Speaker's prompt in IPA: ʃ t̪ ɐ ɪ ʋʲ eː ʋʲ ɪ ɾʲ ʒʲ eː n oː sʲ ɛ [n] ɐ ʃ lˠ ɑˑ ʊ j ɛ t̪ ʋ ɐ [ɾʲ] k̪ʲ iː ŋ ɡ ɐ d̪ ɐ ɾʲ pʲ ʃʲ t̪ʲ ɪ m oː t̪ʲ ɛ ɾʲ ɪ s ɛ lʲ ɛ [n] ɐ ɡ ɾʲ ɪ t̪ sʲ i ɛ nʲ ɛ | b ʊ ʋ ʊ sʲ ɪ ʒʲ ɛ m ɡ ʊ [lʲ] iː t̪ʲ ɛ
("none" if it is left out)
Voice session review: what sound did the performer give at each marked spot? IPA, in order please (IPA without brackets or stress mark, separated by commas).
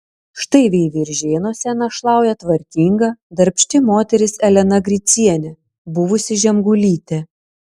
n, ɾʲ, n, lʲ